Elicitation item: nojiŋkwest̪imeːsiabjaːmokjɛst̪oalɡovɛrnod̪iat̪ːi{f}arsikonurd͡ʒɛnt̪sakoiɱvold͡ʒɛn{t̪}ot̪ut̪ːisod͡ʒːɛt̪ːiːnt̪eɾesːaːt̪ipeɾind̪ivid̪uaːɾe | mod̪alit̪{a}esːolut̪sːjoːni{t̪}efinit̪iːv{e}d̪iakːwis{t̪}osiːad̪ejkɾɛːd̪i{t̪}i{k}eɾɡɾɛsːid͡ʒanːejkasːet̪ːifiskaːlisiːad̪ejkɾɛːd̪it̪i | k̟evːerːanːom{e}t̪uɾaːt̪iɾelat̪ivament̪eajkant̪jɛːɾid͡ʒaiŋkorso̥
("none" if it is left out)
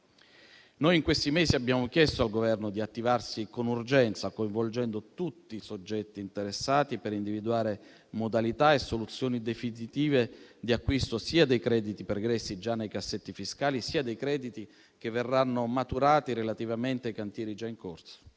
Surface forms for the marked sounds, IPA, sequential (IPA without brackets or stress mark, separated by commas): v, d̪, a, d̪, e, t̪, t̪, p, a